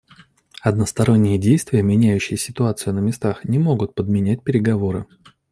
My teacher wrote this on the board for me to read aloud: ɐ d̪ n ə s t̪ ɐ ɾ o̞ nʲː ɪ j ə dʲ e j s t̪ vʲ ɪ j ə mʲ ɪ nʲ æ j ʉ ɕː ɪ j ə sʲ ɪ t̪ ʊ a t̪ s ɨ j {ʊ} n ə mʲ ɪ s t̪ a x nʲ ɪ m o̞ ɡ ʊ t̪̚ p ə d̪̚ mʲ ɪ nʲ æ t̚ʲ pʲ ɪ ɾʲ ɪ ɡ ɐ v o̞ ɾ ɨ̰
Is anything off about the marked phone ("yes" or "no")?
no